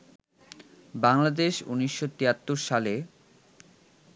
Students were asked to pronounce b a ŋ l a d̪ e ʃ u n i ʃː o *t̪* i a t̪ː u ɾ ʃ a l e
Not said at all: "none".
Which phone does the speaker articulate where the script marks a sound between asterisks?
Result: t̪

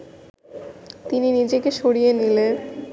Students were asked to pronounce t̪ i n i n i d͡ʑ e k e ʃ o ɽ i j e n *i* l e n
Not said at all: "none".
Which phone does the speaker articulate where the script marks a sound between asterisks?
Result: i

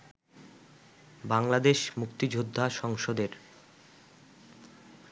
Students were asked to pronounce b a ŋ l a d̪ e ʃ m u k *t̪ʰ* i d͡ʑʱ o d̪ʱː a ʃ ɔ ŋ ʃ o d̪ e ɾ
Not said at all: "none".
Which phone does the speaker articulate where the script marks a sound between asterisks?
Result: t̪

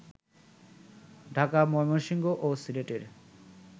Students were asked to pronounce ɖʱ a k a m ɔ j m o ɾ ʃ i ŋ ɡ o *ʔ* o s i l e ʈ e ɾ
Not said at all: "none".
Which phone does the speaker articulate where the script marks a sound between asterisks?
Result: ʔ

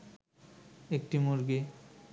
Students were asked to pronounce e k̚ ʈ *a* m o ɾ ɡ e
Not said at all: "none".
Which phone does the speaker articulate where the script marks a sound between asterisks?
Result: i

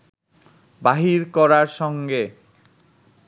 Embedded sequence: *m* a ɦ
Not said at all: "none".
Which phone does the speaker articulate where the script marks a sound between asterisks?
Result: b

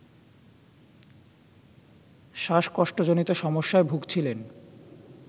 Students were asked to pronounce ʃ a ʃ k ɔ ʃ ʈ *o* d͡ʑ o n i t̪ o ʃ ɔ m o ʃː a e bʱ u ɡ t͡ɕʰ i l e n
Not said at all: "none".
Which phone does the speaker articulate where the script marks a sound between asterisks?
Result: o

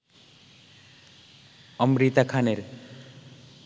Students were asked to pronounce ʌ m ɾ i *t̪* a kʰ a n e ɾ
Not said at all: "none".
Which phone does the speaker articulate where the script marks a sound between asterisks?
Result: t̪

